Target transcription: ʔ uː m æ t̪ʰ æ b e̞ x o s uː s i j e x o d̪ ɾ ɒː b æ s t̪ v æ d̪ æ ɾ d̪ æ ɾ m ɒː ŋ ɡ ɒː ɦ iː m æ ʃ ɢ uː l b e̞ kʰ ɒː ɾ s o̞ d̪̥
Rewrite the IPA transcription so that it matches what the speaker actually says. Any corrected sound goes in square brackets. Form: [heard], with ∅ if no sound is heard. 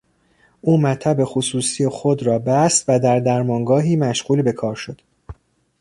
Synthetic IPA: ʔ uː m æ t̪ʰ æ b e̞ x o s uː s i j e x o d̪ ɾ ɒː b æ s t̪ v æ d̪ æ ɾ d̪ æ ɾ m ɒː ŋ ɡ ɒː ɦ iː m æ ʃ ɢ uː l b e̞ kʰ ɒː ɾ [ʃ] o̞ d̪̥